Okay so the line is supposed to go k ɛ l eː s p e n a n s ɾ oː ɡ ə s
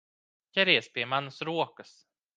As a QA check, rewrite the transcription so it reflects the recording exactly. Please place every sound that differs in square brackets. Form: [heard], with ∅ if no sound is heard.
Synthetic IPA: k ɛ [ɾ] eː s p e [m] a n s ɾ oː [k] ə s